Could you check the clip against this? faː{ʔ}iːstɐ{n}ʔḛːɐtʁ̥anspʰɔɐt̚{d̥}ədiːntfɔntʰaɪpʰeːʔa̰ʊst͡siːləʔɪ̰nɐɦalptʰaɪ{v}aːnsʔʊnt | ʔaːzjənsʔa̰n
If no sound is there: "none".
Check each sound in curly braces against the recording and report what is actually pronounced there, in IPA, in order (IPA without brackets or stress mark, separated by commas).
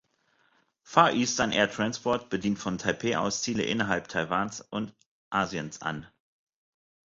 ʔ, n, b̥, v